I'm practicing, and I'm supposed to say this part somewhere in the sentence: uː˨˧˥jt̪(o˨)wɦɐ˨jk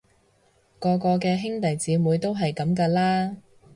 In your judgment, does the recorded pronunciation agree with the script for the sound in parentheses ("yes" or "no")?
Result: no